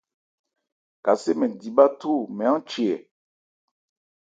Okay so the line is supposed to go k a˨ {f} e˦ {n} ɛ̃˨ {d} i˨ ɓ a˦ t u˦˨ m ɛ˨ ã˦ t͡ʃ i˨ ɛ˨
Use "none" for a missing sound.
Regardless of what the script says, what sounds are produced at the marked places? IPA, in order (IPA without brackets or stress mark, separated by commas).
s, m, d